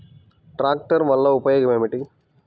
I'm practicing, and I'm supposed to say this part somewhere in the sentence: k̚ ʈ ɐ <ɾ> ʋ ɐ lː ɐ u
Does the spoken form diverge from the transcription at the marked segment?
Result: no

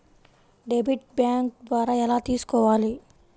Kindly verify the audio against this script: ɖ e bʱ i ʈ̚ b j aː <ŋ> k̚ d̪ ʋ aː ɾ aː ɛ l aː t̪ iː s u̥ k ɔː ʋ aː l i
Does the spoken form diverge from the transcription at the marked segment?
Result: no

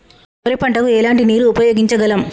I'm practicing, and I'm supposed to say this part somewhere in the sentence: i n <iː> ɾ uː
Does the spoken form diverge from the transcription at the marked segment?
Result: no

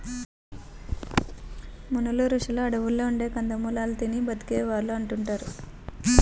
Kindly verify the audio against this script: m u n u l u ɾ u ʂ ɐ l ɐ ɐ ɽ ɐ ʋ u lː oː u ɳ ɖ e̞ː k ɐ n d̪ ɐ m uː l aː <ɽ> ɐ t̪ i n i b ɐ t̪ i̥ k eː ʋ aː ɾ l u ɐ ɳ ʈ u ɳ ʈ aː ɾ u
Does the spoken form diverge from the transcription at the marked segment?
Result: yes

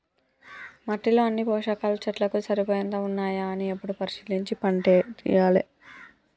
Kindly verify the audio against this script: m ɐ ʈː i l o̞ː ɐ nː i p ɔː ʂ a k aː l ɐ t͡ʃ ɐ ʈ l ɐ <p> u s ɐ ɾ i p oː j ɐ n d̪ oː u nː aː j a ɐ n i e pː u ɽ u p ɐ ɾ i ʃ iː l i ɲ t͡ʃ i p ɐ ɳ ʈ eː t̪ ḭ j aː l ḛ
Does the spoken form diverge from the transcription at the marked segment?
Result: yes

